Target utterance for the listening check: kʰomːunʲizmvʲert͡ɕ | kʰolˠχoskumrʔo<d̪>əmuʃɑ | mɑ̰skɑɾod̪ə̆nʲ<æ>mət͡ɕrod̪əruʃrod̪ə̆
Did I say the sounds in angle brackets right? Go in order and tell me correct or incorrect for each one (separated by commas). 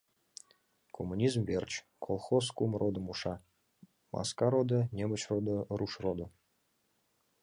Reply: correct, incorrect